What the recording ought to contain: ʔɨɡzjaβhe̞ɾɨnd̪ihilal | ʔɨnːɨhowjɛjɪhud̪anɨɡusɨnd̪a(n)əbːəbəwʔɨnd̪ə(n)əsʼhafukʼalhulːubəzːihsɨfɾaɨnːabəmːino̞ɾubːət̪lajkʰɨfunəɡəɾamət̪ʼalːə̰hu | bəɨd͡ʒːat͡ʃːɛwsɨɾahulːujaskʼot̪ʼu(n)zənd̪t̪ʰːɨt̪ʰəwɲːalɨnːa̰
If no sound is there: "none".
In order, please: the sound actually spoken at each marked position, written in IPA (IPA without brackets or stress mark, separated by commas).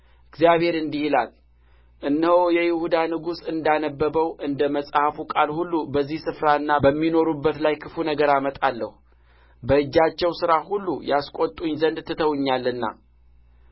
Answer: n, m, ɲ